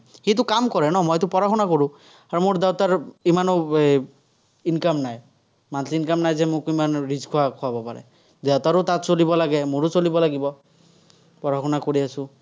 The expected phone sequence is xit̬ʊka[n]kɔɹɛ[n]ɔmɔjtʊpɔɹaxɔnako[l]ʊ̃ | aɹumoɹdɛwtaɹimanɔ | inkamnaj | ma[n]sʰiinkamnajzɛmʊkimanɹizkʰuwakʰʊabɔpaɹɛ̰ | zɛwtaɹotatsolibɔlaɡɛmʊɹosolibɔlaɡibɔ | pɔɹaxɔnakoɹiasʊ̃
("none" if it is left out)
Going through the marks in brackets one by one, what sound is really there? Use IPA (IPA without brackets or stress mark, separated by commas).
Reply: m, n, ɹ, n